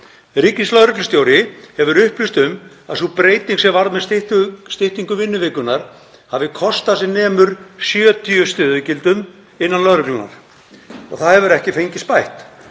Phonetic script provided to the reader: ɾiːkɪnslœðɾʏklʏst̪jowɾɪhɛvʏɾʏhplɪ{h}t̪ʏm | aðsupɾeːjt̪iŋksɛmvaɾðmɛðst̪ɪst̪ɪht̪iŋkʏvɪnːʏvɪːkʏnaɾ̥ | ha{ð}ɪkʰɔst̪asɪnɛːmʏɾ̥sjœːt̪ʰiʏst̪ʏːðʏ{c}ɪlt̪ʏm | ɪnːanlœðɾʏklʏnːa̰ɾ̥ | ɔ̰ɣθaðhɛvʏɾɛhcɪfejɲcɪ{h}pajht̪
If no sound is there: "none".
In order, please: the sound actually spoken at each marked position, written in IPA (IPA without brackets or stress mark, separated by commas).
s, v, c, s